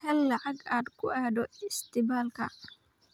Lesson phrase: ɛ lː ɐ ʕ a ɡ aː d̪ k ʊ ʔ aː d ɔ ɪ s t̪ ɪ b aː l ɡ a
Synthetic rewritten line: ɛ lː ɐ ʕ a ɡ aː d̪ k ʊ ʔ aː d ɔ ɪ s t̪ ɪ b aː l k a